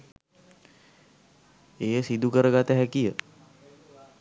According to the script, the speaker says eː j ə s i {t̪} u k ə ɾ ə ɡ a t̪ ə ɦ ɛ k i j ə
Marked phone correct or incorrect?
incorrect